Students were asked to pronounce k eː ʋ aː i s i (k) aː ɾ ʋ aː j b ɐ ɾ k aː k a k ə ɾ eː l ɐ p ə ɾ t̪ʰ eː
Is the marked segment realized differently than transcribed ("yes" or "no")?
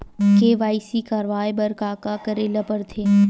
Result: no